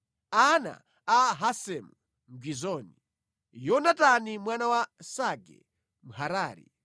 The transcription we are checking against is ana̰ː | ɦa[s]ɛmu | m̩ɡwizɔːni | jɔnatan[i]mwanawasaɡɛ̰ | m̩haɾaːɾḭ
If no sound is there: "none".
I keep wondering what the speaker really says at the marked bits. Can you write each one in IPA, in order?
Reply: s, i

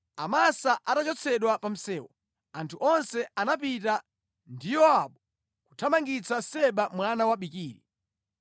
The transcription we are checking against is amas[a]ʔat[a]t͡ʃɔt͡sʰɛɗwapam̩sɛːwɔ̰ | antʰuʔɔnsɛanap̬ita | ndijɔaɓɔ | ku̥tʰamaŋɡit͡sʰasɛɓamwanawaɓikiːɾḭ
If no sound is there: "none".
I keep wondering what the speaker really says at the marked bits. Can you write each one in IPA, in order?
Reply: a, a

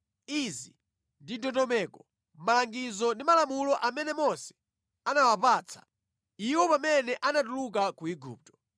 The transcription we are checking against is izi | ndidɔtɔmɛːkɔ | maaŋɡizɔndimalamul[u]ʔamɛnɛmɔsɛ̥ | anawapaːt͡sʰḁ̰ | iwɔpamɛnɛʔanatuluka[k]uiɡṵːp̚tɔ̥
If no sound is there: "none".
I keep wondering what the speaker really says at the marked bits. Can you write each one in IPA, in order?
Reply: ɔ, k

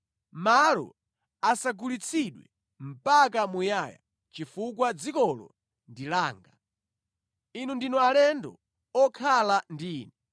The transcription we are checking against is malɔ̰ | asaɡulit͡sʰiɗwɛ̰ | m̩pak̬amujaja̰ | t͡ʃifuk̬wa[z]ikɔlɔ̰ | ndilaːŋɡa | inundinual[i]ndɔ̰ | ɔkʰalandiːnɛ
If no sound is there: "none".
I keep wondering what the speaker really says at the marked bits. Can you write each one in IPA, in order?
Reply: d͡z, ɛ

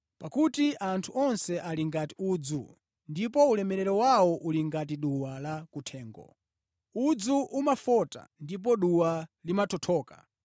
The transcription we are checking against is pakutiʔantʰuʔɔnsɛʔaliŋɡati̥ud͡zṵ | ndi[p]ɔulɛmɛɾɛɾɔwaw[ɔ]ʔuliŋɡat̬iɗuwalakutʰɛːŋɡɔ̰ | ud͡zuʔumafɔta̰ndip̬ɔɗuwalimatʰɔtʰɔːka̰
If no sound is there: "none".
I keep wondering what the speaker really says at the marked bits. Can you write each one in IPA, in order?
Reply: p, ɔ

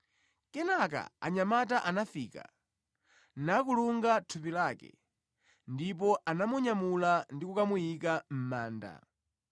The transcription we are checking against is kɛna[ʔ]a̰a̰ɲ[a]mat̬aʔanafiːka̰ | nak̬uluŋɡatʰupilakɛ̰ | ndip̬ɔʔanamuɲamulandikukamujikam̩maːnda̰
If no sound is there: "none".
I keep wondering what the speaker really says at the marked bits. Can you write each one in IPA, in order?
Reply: k, a

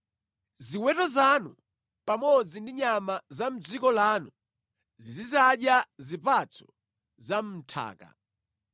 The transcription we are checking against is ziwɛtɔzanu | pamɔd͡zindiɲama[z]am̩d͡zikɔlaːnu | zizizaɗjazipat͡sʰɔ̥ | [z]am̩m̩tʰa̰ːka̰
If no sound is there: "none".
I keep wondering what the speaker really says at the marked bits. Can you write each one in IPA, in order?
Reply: z, z

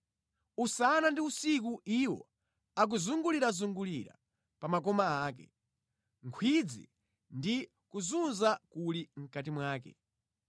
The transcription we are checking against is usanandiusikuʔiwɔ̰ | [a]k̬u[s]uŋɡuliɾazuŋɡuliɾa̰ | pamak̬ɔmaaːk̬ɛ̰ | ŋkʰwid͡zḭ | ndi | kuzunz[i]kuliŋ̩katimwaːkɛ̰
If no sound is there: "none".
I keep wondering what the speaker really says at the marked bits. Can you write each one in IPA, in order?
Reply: a, z, a

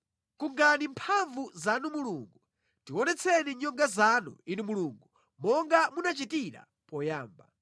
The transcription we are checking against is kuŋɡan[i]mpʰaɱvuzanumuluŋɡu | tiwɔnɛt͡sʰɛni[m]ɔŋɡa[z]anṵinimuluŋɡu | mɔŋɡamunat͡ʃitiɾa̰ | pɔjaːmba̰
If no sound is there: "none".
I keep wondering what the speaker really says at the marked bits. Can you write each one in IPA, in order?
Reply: i, ɲ, z

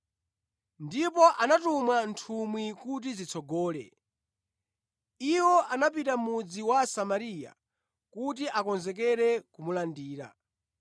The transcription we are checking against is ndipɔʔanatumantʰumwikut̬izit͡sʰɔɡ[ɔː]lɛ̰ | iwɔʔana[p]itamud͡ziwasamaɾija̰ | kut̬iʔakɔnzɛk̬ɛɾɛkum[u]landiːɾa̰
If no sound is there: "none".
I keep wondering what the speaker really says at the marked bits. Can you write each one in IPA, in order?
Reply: ɔː, p, u

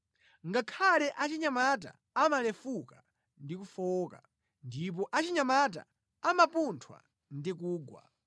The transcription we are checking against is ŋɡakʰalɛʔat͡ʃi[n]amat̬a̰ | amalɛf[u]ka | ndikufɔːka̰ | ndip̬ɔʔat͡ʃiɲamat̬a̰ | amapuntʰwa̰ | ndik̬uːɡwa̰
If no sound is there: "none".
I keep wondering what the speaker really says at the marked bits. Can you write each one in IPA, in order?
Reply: ɲ, u

